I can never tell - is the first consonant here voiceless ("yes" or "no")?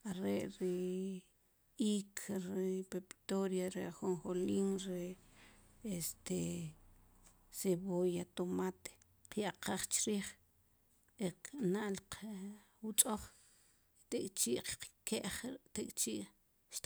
no